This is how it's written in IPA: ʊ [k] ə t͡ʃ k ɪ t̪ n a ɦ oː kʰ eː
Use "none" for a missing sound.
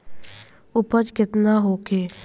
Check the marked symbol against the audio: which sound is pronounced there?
p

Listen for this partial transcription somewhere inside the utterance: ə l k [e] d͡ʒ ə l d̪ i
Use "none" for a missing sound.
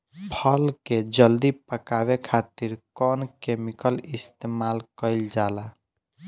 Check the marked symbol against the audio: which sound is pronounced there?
e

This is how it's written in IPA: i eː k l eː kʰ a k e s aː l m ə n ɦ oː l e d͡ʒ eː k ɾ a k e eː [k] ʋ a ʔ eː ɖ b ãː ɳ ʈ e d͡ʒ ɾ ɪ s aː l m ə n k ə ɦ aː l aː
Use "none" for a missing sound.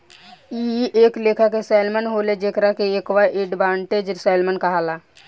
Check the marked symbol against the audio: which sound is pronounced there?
k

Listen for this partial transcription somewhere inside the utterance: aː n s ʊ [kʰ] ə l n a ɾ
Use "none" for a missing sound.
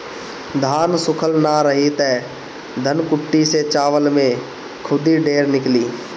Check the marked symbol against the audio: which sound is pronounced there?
kʰ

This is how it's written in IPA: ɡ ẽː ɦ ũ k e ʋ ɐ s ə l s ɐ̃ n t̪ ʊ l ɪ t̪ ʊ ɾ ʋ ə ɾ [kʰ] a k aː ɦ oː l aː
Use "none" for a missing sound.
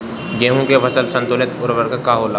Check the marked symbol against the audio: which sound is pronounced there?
k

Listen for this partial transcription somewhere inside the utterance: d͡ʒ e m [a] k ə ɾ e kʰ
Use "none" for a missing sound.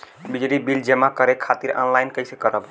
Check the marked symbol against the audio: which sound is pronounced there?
a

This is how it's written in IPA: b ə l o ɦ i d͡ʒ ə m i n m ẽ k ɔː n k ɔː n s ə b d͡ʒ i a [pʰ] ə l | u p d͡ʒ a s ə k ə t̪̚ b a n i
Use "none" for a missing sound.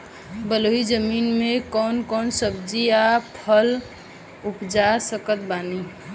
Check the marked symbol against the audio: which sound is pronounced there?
pʰ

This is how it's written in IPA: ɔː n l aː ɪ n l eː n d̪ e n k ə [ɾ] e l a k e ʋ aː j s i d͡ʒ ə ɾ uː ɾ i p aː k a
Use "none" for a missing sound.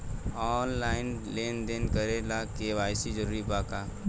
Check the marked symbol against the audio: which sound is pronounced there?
ɾ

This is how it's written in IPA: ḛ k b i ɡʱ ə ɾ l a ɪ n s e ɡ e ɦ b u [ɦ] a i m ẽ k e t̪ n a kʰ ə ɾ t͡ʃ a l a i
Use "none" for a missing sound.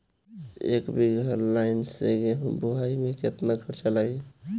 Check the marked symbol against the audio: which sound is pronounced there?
ɦ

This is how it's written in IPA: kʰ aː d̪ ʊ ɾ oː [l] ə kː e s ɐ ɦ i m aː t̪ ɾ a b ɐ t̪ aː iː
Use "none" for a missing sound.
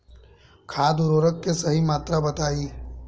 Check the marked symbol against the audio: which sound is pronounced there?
ɾ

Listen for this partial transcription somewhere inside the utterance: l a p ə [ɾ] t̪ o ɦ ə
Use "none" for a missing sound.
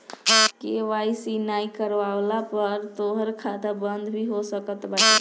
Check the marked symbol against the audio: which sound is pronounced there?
ɾ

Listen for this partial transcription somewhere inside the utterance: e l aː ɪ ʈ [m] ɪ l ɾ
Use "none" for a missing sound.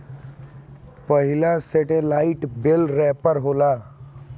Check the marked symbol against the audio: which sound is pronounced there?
b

